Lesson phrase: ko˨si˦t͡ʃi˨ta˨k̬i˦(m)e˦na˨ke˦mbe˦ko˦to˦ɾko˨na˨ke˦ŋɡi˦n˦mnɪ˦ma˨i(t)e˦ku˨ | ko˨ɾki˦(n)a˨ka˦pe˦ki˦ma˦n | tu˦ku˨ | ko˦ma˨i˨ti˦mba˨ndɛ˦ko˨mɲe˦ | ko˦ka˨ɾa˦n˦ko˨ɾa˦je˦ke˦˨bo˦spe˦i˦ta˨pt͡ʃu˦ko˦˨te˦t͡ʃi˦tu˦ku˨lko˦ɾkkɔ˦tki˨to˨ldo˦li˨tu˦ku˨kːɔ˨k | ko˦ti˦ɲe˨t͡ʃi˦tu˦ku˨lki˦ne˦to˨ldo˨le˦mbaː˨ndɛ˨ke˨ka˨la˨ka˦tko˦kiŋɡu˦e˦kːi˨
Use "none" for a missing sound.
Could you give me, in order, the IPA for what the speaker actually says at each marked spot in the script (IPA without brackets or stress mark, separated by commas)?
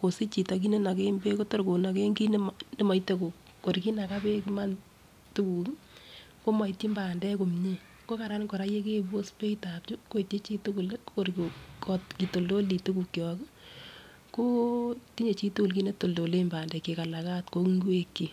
n, t, n